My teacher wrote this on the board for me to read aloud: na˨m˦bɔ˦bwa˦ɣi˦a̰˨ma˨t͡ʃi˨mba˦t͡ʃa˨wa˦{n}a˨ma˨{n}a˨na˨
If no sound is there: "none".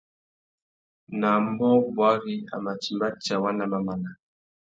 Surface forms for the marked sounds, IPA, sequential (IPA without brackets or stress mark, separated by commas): n, m